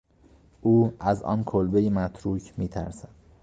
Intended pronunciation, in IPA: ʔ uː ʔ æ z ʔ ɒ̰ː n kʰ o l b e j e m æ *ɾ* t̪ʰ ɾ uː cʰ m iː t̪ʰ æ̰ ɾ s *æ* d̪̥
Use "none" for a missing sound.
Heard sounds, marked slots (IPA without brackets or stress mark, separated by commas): none, æ